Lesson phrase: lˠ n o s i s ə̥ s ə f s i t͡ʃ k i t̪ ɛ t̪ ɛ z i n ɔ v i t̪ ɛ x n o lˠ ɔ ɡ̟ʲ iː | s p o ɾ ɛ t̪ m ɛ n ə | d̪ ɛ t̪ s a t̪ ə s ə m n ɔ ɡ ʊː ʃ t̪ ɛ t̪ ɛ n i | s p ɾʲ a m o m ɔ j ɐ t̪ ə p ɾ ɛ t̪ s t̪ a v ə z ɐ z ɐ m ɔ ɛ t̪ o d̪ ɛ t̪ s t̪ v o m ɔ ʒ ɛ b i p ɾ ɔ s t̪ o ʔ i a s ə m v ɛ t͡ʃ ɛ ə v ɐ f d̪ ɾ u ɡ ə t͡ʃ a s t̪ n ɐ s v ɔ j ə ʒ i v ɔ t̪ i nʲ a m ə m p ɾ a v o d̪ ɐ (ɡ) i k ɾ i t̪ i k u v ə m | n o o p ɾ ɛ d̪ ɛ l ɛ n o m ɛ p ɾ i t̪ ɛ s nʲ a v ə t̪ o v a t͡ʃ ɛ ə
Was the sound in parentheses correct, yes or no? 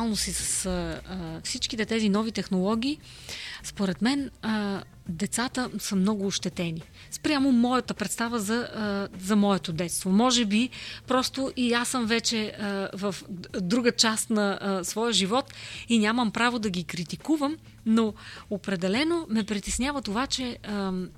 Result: yes